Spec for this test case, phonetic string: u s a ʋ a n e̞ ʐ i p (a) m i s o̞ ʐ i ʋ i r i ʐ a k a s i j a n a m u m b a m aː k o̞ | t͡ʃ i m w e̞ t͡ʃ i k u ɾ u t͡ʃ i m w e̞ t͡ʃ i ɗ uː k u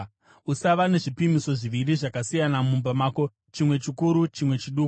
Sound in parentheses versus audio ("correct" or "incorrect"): incorrect